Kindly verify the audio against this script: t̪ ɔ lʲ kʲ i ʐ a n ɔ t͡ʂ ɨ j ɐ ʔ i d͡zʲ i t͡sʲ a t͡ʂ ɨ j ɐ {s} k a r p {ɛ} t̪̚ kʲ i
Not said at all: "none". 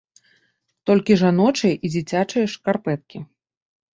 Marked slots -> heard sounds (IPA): ʂ, ɛ

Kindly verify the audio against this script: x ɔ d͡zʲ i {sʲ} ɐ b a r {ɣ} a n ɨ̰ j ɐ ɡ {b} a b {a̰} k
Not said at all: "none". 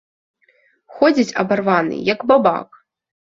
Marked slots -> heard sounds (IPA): t͡sʲ, v, b, a̰

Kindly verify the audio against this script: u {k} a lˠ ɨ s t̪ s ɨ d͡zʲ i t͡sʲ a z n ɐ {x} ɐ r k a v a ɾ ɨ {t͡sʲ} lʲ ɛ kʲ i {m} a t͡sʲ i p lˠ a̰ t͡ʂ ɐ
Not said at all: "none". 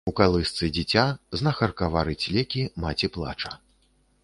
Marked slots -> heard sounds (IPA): k, x, t͡sʲ, m

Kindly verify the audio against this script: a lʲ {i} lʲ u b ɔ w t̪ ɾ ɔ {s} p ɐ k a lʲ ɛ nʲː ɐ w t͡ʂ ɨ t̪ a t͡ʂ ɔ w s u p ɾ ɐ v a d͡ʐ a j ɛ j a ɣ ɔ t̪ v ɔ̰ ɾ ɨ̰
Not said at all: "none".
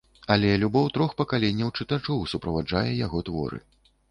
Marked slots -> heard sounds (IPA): ɛ, x

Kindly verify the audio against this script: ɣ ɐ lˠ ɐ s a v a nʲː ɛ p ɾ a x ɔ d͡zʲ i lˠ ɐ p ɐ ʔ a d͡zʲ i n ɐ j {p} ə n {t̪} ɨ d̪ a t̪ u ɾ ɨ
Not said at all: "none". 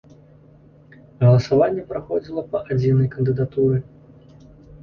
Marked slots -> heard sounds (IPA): k, d̪

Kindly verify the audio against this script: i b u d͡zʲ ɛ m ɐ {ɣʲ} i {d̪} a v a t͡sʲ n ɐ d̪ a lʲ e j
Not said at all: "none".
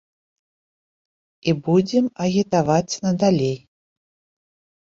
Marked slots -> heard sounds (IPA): ɣʲ, t̪

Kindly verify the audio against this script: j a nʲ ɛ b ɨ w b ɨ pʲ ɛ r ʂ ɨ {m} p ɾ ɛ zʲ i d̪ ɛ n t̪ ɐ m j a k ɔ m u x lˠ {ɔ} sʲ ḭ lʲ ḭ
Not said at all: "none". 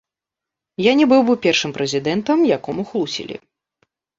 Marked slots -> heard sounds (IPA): m, u

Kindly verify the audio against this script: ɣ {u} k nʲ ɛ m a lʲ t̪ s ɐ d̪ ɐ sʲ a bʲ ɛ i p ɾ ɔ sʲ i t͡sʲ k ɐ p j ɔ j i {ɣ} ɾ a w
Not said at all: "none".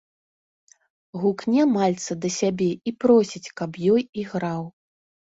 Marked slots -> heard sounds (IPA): u, ɣ

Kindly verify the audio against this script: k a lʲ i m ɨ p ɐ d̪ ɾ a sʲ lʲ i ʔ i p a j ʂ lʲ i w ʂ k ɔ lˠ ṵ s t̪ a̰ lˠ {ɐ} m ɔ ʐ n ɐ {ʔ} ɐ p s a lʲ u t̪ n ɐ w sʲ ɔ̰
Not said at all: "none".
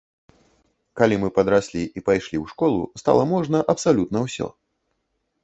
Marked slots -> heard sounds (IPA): ɐ, ʔ

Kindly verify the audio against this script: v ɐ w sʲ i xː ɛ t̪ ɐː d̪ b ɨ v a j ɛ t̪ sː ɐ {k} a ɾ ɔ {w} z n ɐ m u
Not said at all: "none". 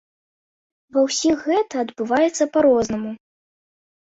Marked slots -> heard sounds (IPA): p, none

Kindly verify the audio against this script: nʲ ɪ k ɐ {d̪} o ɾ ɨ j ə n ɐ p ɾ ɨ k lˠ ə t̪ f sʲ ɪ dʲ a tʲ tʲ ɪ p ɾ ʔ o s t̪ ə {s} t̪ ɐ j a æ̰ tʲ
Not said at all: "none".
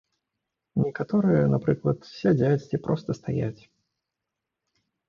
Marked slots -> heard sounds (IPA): t̪, s

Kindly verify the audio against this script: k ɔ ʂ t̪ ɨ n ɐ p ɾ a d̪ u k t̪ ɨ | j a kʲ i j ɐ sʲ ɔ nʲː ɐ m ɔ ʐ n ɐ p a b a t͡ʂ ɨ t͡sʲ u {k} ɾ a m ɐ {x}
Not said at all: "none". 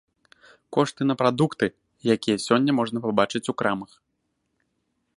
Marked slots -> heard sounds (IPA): k, x

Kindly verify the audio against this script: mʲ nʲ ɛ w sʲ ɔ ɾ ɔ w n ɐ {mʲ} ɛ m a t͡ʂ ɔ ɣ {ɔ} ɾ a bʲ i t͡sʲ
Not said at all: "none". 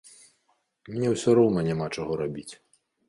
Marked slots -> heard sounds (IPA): nʲ, ɔ

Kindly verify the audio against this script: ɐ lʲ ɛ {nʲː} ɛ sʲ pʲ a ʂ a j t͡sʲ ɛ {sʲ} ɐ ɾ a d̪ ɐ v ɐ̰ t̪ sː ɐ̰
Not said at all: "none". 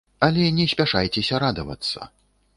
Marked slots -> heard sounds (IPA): nʲ, sʲ

